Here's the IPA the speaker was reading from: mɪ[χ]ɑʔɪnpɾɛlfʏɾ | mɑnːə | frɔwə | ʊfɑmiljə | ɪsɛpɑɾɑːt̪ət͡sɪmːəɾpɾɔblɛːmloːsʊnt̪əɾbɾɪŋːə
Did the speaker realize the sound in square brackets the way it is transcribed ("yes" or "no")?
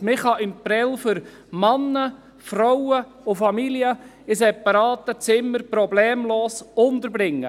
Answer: yes